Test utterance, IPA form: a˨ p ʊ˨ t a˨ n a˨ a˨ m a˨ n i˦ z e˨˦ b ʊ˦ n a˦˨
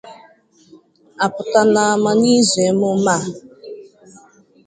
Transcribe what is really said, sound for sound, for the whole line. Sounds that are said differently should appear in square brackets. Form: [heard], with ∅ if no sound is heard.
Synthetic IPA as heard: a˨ p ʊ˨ t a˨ n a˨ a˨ m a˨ n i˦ z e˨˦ [m] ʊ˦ [m] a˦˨